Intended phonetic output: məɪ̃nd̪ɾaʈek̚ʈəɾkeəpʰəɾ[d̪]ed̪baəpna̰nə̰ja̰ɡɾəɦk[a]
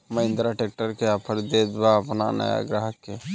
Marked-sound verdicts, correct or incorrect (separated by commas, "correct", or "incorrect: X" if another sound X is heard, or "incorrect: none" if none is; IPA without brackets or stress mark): correct, incorrect: e